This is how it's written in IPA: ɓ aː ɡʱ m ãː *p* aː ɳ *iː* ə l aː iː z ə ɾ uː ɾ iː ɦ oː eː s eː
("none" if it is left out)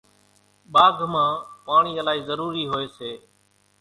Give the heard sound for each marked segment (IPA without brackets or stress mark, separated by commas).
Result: p, iː